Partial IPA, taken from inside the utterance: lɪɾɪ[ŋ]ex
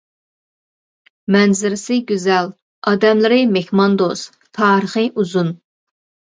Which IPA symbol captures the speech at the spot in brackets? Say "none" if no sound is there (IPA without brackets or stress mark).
m